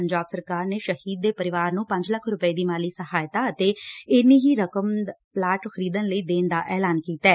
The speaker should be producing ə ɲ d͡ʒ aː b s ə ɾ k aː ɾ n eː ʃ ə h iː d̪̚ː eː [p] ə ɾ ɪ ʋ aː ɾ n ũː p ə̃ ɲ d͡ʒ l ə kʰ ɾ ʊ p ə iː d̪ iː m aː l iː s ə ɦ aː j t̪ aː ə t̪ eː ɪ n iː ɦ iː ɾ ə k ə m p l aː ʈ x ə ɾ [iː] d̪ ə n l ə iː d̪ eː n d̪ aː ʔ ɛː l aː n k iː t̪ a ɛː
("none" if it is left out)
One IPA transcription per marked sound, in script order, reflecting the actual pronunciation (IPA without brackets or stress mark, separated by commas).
p, iː